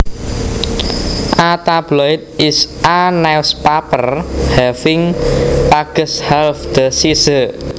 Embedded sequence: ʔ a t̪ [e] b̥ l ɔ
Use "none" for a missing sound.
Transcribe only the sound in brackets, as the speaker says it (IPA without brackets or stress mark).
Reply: a